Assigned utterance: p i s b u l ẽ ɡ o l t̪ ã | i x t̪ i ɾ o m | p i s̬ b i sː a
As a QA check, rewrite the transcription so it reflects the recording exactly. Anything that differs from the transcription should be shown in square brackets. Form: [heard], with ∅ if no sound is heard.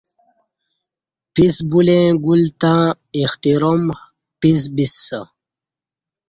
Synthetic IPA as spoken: p i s b u l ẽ ɡ [u] l t̪ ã | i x t̪ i ɾ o m | p i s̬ b i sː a